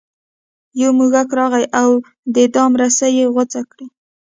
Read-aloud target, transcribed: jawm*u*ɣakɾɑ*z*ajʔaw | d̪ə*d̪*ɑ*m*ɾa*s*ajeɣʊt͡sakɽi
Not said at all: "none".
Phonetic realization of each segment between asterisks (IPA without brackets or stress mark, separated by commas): u, ɣ, d̪, m, s